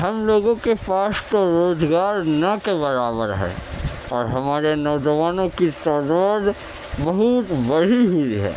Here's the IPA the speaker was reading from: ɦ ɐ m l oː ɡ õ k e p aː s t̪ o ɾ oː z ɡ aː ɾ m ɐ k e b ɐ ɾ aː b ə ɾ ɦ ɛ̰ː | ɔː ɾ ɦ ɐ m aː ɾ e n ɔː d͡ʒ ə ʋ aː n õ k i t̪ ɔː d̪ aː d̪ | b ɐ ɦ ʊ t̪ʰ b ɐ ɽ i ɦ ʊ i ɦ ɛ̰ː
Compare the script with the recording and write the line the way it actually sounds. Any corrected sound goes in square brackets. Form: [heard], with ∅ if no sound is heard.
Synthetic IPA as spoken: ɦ ɐ m l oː ɡ õ k e p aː s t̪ o ɾ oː z ɡ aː ɾ [n] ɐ k e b ɐ ɾ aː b ə ɾ ɦ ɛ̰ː | ɔː ɾ ɦ ɐ m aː ɾ e n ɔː d͡ʒ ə ʋ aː n õ k i t̪ ɔː d̪ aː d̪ | b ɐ ɦ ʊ [t̪] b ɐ ɽ i ɦ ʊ i ɦ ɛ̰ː